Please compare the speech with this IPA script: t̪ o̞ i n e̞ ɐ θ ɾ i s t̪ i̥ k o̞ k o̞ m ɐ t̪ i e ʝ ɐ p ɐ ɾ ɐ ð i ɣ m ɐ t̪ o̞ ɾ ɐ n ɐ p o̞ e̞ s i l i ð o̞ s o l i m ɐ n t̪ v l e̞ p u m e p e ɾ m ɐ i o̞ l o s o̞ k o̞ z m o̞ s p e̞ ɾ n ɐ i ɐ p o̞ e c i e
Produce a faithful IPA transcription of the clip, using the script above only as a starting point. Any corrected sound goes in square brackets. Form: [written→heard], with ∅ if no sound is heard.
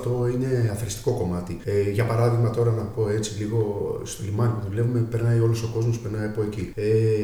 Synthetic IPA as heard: t̪ o̞ i n e̞ ɐ θ ɾ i s t̪ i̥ k o̞ k o̞ m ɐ t̪ i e ʝ ɐ p ɐ ɾ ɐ ð i ɣ m ɐ t̪ o̞ ɾ ɐ n ɐ p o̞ e̞ [s→t͡s] i l i [ð→ɣ] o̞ s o l i m ɐ n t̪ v l e̞ p u m e p e ɾ [m→n] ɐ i o̞ l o s o̞ k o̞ z m o̞ s p e̞ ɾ n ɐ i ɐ p o̞ e c i e